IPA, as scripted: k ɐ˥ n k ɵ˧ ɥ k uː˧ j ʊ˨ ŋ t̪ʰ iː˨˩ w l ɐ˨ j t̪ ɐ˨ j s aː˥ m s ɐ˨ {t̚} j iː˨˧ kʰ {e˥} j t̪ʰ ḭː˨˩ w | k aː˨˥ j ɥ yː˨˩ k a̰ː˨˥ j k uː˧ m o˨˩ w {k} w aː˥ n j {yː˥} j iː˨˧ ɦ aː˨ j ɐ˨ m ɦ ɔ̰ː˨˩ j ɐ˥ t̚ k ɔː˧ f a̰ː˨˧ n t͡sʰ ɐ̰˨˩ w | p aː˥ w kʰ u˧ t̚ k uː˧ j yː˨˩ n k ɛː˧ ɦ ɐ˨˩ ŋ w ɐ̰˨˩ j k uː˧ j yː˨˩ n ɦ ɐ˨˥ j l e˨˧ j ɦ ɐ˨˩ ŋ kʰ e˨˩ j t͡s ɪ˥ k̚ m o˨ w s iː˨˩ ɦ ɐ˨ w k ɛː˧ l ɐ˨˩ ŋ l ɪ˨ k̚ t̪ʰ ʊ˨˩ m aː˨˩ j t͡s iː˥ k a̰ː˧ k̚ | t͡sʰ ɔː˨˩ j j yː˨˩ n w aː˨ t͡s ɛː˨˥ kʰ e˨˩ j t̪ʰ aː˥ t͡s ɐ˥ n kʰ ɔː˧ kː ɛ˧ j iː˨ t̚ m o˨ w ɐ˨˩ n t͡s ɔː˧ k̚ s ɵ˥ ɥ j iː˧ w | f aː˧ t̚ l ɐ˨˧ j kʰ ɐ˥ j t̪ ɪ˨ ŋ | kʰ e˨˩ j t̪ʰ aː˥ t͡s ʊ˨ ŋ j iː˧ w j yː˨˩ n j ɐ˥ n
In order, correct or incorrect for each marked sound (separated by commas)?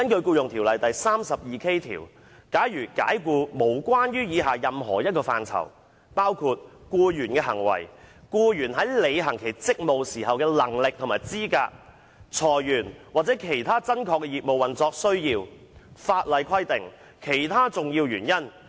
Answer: incorrect, correct, correct, correct